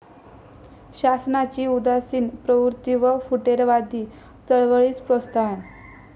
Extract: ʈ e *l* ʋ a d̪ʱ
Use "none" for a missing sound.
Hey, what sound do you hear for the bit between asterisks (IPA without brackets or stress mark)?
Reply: ɾ